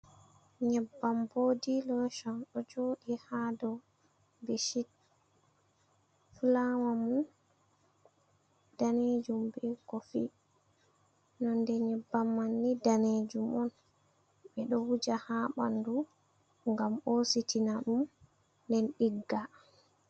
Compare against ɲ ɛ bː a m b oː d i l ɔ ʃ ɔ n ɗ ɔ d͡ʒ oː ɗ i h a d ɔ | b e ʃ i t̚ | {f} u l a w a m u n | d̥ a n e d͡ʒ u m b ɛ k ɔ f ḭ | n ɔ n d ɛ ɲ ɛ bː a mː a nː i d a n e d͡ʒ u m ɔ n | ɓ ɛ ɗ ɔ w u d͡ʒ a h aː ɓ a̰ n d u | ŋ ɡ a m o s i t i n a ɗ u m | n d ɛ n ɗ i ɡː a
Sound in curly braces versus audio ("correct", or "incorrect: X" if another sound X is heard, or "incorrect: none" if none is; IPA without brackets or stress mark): correct